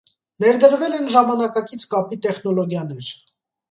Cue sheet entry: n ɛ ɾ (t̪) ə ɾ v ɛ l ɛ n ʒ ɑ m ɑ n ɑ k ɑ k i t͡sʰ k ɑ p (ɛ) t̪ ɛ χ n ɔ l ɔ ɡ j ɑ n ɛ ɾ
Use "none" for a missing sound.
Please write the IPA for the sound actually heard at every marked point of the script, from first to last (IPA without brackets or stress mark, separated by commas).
d̪, i